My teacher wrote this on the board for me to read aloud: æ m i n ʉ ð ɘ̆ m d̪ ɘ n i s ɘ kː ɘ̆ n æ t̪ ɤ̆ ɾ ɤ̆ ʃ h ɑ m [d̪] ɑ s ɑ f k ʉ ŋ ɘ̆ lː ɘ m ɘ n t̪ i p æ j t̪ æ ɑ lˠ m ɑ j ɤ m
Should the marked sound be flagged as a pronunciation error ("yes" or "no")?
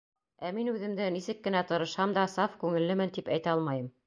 no